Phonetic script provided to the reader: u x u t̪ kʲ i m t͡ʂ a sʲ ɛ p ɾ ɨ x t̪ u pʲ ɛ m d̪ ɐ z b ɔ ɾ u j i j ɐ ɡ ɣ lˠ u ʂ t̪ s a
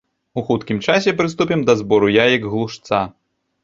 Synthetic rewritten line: u x u t̪ kʲ i m t͡ʂ a sʲ ɛ p ɾ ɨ s t̪ u pʲ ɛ m d̪ ɐ z b ɔ ɾ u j a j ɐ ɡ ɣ lˠ u ʂ t̪ s a